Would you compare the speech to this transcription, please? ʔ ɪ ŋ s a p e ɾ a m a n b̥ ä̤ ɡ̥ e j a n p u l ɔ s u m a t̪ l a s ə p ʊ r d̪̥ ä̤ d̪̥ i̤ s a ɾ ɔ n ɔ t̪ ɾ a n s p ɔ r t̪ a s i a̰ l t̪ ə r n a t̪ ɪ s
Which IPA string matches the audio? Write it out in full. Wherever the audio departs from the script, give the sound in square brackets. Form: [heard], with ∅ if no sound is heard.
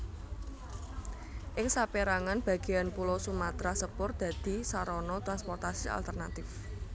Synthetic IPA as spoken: ʔ ɪ ŋ s a p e ɾ a [ŋ] a n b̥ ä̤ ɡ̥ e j a n p u l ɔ s u m a t̪ [ɾ] a s ə p ʊ r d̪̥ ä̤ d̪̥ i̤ s a ɾ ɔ n ɔ t̪ ɾ a n s p ɔ r t̪ a s i a̰ l t̪ ə r n a t̪ ɪ [f]